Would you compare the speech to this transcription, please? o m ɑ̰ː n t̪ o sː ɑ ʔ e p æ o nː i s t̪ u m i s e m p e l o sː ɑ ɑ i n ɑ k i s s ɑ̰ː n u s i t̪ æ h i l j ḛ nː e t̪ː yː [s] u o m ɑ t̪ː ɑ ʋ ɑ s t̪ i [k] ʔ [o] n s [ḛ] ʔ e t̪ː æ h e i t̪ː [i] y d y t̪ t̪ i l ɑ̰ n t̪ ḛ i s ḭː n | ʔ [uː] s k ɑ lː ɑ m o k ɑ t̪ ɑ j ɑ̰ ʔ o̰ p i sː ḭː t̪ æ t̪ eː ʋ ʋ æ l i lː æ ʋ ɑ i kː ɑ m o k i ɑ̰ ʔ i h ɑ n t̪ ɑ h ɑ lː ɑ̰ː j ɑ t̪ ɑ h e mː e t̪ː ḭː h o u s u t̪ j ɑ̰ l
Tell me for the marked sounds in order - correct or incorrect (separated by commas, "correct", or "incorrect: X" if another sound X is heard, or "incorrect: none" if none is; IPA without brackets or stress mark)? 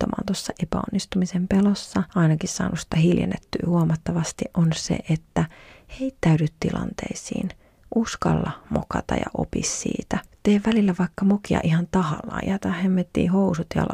incorrect: h, incorrect: ʔ, correct, correct, incorrect: æ, incorrect: u